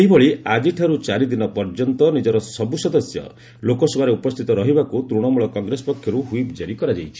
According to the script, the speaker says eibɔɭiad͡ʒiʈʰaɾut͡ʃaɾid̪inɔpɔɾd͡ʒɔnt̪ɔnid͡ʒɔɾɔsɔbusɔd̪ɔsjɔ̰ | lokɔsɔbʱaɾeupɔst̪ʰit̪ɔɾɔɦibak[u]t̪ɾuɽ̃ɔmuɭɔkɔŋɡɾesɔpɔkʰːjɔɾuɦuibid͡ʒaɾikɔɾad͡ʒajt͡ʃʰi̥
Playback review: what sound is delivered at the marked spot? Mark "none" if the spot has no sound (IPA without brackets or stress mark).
u